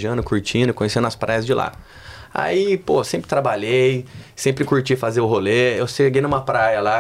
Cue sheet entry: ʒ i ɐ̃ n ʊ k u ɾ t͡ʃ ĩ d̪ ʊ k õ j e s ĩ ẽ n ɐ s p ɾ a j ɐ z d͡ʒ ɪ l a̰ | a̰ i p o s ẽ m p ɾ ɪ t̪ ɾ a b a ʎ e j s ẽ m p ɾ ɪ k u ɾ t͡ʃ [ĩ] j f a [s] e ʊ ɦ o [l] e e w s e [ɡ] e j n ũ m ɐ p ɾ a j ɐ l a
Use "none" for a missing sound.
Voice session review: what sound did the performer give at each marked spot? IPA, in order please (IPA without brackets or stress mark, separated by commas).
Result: i, z, l, ɡ